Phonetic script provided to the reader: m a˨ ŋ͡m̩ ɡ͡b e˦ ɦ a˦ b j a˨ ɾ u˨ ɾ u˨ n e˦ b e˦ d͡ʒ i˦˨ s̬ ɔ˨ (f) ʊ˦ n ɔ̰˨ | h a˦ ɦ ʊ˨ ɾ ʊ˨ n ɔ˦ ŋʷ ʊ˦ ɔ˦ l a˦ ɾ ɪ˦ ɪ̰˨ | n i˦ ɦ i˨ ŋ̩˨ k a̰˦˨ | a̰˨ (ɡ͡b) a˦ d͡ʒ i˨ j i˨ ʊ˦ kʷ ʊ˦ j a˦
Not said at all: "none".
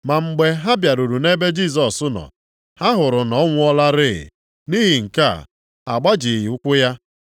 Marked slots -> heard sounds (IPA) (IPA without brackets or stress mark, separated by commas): s, ɡ͡b